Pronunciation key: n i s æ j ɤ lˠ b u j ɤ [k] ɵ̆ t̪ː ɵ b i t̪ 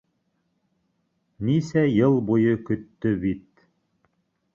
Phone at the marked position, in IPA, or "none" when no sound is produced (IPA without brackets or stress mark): k